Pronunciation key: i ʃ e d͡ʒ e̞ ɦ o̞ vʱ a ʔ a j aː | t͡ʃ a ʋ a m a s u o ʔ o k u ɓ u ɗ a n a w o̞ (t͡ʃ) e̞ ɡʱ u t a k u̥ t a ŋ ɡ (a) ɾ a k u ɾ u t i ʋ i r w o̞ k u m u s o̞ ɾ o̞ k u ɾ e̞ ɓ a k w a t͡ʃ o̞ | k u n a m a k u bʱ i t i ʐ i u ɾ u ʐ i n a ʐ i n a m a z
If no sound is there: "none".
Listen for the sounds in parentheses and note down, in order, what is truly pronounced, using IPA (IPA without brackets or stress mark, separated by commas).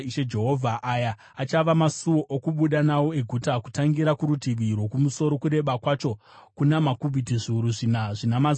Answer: none, i